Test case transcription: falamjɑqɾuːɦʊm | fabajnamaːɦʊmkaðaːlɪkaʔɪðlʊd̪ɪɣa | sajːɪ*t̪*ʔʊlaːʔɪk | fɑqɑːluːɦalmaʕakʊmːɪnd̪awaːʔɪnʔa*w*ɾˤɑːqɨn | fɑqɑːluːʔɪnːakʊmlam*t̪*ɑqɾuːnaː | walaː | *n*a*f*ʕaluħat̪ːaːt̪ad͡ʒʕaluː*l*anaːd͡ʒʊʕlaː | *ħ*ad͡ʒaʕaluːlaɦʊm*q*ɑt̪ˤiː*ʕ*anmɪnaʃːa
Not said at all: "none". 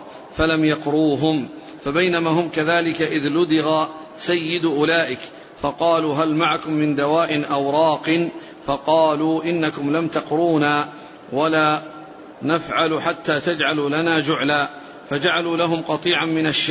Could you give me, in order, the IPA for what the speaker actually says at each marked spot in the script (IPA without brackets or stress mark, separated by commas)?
d̪, w, t̪, n, f, l, f, q, ʕ